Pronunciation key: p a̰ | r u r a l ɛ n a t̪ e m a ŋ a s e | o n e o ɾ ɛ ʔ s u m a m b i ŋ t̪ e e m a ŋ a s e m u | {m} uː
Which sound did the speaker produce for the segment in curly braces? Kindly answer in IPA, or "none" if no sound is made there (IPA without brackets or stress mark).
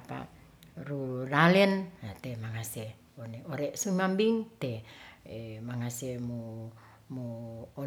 m